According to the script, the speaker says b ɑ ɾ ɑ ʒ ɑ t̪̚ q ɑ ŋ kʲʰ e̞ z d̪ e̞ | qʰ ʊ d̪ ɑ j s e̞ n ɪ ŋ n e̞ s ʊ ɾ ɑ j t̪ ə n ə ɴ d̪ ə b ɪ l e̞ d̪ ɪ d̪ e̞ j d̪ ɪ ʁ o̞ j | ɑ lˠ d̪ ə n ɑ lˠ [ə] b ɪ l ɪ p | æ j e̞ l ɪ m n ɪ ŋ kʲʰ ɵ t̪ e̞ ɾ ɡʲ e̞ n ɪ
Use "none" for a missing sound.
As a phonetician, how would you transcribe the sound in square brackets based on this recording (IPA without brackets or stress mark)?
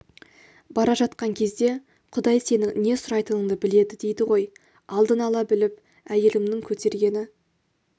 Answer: ɑ